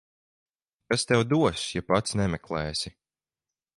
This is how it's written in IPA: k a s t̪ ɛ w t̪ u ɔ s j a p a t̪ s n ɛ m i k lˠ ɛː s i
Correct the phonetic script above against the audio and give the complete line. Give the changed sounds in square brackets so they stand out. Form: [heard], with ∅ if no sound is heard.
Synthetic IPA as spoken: k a s t̪ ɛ w [d̪] u ɔ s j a p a t̪ s n ɛ m [ɛ] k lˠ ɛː s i

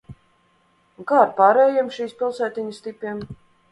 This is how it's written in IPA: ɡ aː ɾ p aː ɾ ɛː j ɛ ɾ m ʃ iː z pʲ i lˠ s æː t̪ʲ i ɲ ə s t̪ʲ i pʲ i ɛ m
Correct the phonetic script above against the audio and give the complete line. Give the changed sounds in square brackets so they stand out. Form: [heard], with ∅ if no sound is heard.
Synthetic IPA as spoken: ɡ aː ɾ p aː ɾ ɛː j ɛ [∅] m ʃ iː [s] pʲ i lˠ s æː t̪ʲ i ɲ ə s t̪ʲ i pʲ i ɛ m

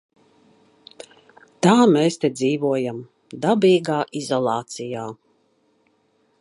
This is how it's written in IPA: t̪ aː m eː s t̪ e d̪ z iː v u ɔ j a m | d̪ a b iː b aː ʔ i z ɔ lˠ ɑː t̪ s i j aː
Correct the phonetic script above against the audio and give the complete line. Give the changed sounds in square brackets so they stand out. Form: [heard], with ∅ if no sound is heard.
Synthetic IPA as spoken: t̪ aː m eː s t̪ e d̪ z iː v u ɔ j a m | d̪ a b iː [ɡ] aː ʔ i z ɔ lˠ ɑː t̪ s i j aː

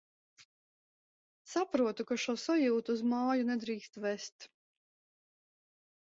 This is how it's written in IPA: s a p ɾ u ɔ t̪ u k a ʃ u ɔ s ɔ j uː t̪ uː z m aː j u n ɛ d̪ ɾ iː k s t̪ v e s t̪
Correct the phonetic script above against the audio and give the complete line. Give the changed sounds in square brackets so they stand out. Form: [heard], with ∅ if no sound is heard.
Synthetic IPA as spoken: s a p ɾ u ɔ t̪ u k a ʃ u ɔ s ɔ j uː t̪ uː z m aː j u n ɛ d̪ ɾ iː k s t̪ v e s t̪

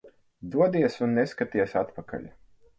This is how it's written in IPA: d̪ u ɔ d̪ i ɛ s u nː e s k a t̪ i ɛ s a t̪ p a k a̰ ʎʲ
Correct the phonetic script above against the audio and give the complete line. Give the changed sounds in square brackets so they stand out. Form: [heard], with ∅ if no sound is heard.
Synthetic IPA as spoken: d̪ u ɔ d̪ i ɛ s u nː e s k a t̪ i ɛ s a t̪ p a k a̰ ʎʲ

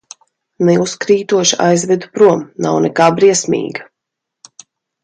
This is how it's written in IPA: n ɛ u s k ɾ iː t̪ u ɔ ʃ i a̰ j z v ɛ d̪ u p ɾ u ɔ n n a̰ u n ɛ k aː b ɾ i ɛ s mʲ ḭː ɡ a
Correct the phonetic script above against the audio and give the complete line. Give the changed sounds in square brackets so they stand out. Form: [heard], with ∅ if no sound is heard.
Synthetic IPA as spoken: n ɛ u s k ɾ iː t̪ u ɔ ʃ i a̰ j z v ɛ d̪ u p ɾ u ɔ [m] n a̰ [w] n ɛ k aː b ɾ i ɛ s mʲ ḭː ɡ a

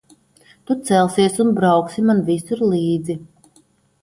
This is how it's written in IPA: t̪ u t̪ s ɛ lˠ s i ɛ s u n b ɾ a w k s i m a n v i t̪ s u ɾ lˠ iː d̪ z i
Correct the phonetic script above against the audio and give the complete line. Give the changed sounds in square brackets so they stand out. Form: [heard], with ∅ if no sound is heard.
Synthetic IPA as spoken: t̪ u t̪ s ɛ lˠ s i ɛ s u n b ɾ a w k s i m a n v i [∅] s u ɾ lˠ iː d̪ z i

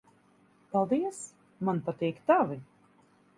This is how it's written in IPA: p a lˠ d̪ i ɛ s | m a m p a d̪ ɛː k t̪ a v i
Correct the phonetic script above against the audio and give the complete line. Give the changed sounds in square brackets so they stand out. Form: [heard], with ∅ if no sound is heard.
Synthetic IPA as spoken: p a lˠ d̪ i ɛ s | m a [n] p a [t̪] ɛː k t̪ a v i

